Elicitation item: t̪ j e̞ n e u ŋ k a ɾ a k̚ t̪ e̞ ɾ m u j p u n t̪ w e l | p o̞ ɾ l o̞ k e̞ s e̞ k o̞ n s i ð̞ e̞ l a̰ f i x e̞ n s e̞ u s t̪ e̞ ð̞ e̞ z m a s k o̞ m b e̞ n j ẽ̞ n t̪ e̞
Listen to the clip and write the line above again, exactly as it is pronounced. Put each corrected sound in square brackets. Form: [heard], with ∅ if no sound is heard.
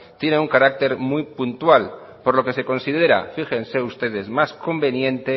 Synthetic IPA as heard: t̪ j e̞ n e u ŋ k a ɾ a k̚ t̪ e̞ ɾ m u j p u n t̪ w [a] l | p o̞ ɾ l o̞ k e̞ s e̞ k o̞ n s i ð̞ e̞ [ɾ] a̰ f i x e̞ n s e̞ u s t̪ e̞ ð̞ e̞ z m a s k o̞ m b e̞ n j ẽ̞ n t̪ e̞